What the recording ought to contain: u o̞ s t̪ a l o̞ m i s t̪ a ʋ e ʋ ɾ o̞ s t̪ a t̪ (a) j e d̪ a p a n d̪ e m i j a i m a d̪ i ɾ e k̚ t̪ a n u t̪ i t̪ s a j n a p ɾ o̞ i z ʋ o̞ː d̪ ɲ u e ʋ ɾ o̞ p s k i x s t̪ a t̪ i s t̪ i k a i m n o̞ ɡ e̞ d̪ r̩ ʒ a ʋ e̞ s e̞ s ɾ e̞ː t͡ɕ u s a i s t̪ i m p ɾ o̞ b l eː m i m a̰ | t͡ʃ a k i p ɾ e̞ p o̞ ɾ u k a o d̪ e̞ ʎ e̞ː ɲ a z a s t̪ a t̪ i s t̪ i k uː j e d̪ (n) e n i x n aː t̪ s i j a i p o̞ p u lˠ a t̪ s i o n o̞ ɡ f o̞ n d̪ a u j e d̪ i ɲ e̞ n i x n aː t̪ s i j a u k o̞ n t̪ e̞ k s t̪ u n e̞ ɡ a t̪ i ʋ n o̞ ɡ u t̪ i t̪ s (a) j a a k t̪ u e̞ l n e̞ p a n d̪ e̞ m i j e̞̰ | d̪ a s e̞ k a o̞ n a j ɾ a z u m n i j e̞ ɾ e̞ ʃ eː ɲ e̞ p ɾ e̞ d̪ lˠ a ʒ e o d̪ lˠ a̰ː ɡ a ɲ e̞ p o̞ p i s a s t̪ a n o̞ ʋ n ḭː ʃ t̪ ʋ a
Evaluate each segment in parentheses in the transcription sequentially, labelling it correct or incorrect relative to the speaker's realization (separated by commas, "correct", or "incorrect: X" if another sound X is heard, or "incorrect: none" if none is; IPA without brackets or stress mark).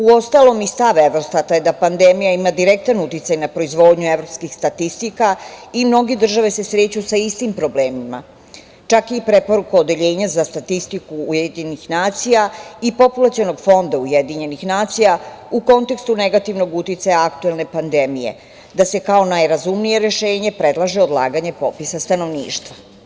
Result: correct, incorrect: ɲ, correct